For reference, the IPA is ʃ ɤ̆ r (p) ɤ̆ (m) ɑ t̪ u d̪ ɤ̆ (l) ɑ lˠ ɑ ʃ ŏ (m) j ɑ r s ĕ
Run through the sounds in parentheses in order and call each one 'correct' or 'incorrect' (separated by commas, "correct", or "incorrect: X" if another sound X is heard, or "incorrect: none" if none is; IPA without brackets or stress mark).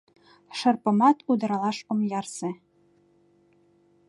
correct, correct, incorrect: ɾ, correct